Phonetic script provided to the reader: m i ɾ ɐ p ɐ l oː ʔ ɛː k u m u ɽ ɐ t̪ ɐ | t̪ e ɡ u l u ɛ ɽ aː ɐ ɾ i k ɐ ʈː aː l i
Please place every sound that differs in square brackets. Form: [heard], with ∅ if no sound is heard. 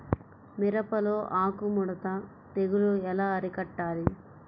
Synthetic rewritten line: m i ɾ ɐ p ɐ l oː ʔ [aː] k u m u ɽ ɐ t̪ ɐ | t̪ e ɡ u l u ɛ [l] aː ɐ ɾ i k ɐ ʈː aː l i

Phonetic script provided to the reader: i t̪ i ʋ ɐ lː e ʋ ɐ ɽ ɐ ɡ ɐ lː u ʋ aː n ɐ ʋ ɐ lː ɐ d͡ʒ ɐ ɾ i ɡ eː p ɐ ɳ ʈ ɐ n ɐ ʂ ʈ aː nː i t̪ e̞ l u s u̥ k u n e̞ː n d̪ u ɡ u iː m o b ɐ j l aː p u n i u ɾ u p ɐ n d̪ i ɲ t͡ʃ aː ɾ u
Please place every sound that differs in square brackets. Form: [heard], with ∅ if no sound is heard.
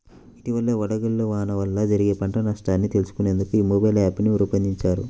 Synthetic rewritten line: i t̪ i ʋ ɐ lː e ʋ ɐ ɽ ɐ ɡ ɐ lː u ʋ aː n ɐ ʋ ɐ lː ɐ d͡ʒ ɐ ɾ i ɡ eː p ɐ ɳ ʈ ɐ n ɐ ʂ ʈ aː nː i t̪ e̞ l u s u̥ k u n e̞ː n d̪ u [k] u iː m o b ɐ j l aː p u n i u ɾ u p ɐ n d̪ i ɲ t͡ʃ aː ɾ u

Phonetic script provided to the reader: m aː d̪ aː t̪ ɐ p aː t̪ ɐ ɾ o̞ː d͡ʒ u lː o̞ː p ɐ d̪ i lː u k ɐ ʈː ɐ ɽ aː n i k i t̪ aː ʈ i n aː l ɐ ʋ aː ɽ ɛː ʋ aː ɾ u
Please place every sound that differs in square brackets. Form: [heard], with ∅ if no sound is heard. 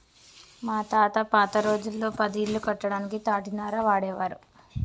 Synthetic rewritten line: m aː [t̪] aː t̪ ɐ p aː t̪ ɐ ɾ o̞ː d͡ʒ u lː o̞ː p ɐ d̪ i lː u k ɐ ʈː ɐ ɽ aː n i k i t̪ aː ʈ i n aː [ɾ] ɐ ʋ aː ɽ ɛː ʋ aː ɾ u

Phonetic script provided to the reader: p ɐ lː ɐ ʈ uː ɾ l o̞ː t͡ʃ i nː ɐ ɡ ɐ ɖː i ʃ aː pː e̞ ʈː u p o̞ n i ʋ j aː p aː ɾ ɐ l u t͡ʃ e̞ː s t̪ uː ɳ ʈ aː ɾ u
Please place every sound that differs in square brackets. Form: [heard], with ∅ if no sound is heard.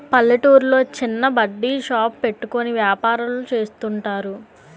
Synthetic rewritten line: p ɐ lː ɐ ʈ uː ɾ l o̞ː t͡ʃ i nː ɐ [b] ɐ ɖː i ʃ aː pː e̞ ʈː u [k] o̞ n i ʋ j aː p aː ɾ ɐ l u t͡ʃ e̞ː s t̪ [u] ɳ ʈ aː ɾ u

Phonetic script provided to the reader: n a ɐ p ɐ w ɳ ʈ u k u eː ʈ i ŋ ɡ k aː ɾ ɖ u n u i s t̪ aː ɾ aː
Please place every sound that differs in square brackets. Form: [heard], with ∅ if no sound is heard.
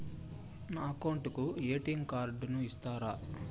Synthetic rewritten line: n a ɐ [k] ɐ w ɳ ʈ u k u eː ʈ i ŋ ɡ k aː ɾ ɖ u n u i s t̪ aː ɾ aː

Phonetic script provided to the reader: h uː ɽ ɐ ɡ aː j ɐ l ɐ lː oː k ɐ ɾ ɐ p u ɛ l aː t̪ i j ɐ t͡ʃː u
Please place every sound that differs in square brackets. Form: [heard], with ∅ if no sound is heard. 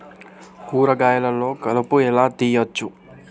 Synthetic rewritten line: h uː [ɾ] ɐ ɡ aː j ɐ l ɐ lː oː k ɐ [l] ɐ p u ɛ l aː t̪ i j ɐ t͡ʃː u

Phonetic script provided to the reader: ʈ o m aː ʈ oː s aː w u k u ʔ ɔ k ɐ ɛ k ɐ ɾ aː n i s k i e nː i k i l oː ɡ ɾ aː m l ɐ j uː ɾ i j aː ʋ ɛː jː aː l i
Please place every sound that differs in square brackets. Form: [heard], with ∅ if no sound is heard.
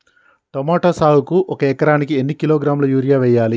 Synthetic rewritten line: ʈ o m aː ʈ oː s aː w u k u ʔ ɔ k ɐ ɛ k ɐ ɾ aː n i [∅] k i e nː i k i l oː ɡ ɾ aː m l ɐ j uː ɾ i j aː ʋ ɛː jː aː l i

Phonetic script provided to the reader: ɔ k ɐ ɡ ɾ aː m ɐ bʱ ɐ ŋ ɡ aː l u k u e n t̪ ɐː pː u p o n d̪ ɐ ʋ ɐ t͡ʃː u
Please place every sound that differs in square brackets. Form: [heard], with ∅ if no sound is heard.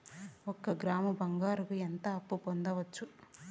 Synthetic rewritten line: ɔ k ɐ ɡ ɾ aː m ɐ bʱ ɐ ŋ ɡ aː [ɾ] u k u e n t̪ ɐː pː u p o n d̪ ɐ ʋ ɐ t͡ʃː u

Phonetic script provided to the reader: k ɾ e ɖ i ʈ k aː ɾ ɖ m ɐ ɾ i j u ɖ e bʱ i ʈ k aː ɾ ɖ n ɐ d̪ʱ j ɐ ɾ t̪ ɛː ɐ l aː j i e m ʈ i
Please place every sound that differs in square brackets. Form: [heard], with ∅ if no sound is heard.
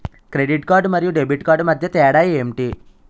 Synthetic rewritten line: k ɾ e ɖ i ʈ k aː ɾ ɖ m ɐ ɾ i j u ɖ e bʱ i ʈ k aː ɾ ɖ [m] ɐ d̪ʱ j ɐ [∅] t̪ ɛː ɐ [ɽ] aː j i e m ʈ i

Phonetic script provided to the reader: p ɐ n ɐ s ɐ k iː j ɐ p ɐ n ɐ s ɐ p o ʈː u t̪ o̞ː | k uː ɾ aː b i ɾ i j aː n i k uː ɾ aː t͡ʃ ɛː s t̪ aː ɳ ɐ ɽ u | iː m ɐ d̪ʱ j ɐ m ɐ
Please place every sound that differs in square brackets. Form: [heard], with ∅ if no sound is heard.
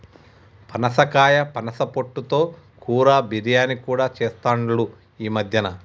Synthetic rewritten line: p ɐ n ɐ s ɐ k [aː] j ɐ p ɐ n ɐ s ɐ p o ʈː u t̪ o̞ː | k uː ɾ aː b i ɾ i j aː n i k uː [ɽ] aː t͡ʃ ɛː s t̪ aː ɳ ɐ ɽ u | iː m ɐ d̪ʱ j ɐ [n] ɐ

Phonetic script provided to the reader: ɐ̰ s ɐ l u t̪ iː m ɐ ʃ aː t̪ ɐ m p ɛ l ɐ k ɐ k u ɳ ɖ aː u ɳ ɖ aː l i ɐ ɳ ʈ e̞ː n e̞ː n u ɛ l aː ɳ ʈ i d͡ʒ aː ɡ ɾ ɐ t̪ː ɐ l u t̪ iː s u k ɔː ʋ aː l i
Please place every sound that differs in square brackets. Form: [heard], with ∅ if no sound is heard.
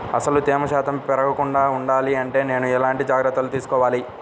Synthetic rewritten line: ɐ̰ s ɐ l u t̪ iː m ɐ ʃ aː t̪ ɐ m p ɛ [ɾ] ɐ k ɐ k u ɳ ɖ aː u ɳ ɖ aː l i ɐ ɳ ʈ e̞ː n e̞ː n u ɛ l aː ɳ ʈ i d͡ʒ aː ɡ ɾ ɐ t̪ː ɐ l u t̪ iː s u k ɔː ʋ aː l i

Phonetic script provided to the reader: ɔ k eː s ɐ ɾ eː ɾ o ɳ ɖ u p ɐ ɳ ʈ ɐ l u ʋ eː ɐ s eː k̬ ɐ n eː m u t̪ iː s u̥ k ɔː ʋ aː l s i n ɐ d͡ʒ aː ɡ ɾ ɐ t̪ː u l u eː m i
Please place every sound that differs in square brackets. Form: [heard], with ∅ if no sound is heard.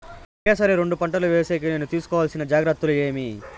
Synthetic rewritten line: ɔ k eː s ɐ ɾ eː ɾ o ɳ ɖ u p ɐ ɳ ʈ ɐ l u ʋ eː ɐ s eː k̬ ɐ n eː [n] u t̪ iː s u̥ k ɔː ʋ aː l s i n ɐ d͡ʒ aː ɡ ɾ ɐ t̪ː u l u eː m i

